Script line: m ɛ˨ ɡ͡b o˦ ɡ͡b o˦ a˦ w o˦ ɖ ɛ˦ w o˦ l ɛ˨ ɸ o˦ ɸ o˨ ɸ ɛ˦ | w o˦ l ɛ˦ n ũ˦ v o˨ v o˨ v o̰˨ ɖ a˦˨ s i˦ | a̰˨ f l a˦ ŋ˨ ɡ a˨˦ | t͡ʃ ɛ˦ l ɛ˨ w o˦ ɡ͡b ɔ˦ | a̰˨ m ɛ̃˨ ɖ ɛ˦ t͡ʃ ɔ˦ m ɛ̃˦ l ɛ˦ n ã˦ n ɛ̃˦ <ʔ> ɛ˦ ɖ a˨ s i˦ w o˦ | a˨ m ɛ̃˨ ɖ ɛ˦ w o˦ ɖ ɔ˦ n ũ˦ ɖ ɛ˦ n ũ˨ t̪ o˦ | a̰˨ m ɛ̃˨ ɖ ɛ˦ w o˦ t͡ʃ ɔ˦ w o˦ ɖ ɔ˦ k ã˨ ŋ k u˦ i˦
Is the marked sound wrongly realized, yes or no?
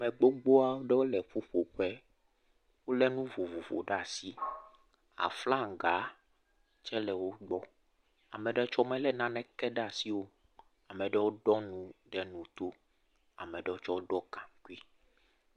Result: yes